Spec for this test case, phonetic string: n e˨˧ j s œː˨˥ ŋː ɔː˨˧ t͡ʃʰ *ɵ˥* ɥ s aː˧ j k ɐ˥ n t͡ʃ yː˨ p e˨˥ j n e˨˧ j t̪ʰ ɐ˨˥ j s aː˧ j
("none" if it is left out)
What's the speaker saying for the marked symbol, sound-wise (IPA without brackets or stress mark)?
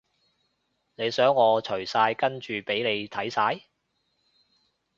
ɵ˨˩